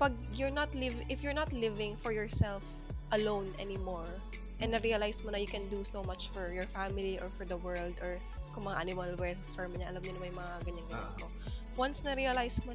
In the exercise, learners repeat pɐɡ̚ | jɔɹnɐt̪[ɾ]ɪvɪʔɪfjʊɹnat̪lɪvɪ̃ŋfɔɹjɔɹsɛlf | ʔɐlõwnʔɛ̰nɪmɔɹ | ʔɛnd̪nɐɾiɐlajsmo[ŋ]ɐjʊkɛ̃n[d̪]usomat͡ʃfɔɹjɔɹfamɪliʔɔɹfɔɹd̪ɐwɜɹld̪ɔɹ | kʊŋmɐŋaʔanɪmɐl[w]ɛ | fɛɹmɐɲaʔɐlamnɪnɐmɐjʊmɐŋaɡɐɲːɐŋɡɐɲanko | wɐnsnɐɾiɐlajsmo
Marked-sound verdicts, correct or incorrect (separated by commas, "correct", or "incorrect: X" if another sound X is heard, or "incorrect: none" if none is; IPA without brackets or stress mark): incorrect: l, incorrect: n, correct, correct